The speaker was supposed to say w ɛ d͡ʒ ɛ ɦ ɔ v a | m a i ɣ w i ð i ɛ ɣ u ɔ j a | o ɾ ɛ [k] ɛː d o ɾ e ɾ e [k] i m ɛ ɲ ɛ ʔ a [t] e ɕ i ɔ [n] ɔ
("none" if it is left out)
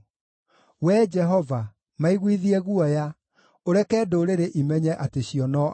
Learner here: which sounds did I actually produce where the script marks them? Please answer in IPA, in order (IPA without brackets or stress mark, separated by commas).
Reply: k, ʔ, t, n